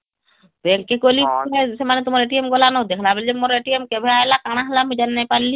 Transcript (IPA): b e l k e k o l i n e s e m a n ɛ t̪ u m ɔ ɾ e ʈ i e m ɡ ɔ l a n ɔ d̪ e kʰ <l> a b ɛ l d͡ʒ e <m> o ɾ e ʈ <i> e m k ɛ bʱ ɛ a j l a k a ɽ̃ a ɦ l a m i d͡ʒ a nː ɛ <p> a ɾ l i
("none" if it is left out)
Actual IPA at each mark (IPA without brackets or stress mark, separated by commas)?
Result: l, m, i, p